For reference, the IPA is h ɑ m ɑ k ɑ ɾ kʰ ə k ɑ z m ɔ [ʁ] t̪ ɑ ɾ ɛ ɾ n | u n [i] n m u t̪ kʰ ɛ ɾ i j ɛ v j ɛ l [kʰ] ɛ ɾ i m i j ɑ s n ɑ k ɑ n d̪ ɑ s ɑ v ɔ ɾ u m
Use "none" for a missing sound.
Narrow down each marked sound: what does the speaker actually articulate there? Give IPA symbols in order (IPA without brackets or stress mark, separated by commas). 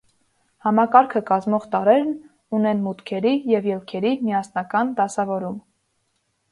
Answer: ʁ, ɛ, kʰ